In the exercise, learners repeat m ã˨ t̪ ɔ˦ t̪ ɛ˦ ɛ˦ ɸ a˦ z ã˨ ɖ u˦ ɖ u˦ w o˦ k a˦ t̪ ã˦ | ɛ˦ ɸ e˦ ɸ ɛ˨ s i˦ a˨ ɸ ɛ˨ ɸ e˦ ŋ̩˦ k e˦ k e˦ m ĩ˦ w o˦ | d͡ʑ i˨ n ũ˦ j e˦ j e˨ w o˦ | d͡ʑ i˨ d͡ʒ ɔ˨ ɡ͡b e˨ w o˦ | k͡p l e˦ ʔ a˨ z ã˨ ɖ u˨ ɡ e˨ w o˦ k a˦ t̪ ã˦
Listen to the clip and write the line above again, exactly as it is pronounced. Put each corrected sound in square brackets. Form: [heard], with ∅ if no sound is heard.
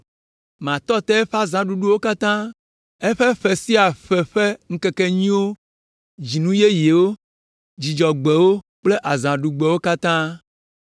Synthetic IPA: m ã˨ t̪ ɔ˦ t̪ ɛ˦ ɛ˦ ɸ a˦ z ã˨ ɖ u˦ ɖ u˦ w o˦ k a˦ t̪ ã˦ | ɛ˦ ɸ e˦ ɸ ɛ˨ s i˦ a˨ ɸ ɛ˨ ɸ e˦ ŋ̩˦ k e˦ k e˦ [ɲ] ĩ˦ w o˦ | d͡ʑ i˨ n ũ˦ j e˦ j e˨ w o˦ | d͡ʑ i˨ d͡ʒ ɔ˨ ɡ͡b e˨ w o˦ | k͡p l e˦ ʔ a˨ z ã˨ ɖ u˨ [ɡ͡b] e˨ w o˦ k a˦ t̪ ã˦